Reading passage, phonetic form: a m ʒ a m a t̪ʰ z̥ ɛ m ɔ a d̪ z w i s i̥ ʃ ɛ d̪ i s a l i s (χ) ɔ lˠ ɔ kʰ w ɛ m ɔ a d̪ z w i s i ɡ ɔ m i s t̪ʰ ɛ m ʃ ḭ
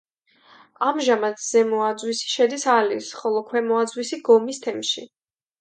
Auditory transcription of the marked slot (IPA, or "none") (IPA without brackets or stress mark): χ